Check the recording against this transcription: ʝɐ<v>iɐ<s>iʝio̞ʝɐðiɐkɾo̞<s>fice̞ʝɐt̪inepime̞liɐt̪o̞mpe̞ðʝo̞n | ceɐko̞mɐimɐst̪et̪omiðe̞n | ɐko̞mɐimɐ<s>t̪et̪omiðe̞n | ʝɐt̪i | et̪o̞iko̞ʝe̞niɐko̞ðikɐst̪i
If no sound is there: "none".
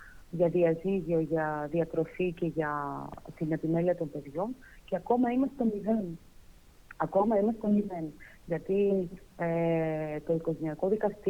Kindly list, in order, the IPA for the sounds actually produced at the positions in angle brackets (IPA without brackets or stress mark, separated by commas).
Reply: ð, z, none, s